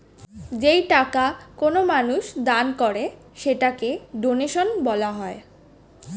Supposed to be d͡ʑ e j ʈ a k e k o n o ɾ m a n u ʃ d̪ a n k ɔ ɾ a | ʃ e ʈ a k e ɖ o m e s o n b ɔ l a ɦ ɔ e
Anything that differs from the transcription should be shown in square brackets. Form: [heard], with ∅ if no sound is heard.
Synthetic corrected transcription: d͡ʑ e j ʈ a k [a] k o n o [∅] m a n u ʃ d̪ a n k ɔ ɾ [e] | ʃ e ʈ a k e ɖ o [n] e [ʃ] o n b ɔ l a ɦ ɔ e